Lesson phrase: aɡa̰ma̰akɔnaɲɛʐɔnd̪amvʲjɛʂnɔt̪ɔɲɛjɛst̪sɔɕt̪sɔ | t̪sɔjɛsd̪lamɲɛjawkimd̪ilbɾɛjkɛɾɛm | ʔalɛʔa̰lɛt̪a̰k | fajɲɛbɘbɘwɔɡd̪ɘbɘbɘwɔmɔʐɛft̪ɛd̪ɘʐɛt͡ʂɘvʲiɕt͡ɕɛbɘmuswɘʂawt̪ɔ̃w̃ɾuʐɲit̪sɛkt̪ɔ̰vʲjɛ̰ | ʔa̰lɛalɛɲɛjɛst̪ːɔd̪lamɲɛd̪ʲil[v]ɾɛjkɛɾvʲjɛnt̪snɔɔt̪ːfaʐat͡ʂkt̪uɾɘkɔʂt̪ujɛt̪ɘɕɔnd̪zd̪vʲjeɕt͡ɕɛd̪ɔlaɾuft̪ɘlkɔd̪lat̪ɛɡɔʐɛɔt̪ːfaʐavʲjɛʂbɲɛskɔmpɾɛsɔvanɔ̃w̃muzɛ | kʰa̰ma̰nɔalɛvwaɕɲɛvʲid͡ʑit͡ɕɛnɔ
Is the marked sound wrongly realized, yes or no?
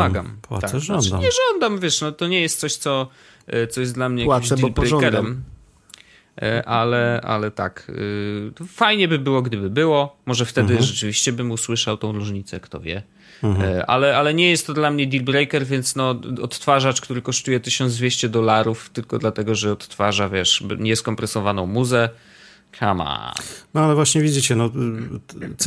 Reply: yes